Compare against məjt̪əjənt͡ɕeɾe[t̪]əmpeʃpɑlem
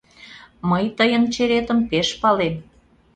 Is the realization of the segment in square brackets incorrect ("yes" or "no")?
no